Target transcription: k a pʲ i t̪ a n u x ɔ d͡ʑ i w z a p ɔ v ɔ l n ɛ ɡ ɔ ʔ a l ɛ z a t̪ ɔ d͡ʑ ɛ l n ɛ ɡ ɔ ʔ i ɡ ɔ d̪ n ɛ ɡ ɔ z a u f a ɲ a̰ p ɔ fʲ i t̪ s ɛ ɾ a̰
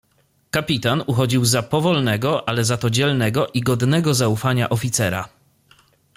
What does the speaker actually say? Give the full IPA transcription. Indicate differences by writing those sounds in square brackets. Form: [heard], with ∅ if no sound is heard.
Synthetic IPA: k a pʲ i t̪ a n u x ɔ d͡ʑ i w z a p ɔ v ɔ l n ɛ ɡ ɔ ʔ a l ɛ z a t̪ ɔ d͡ʑ ɛ l n ɛ ɡ ɔ ʔ i ɡ ɔ d̪ n ɛ ɡ ɔ z a u f a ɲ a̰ [ʔ] ɔ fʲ i t̪ s ɛ ɾ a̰